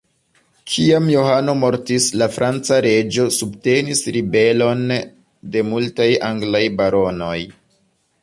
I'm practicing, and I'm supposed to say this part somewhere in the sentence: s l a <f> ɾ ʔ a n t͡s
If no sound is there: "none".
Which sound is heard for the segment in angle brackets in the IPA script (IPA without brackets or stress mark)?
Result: f